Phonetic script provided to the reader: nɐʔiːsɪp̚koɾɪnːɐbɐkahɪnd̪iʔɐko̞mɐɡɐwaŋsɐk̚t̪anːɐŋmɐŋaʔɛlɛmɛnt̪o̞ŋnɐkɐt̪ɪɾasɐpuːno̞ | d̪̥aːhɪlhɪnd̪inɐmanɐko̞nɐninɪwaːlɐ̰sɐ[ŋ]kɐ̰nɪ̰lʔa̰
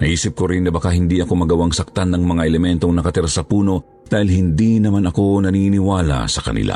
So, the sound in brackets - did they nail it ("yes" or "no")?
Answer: no